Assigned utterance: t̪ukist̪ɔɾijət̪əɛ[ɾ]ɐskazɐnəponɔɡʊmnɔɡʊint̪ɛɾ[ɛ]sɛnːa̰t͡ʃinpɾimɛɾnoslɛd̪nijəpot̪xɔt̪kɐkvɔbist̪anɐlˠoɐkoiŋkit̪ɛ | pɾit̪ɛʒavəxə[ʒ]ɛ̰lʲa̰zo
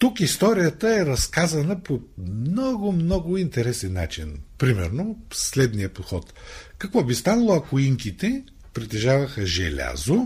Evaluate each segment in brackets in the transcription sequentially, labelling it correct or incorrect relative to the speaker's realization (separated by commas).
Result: correct, correct, correct